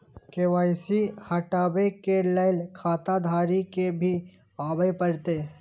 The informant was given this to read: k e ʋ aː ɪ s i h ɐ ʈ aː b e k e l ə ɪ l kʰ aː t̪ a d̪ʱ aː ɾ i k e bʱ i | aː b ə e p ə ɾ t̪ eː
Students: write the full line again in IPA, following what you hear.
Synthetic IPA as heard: k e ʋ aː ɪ s i h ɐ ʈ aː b e k e l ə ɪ l kʰ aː t̪ a d̪ʱ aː ɾ i k e bʱ i | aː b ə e p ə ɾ t̪ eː